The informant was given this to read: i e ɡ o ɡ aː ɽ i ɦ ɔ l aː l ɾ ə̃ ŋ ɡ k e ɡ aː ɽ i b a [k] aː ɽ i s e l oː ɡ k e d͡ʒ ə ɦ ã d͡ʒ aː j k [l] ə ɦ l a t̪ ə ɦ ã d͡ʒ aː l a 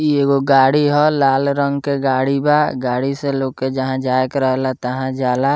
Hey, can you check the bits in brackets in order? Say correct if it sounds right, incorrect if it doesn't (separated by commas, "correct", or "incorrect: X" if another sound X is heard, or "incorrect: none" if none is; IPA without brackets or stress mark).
incorrect: ɡ, incorrect: ɾ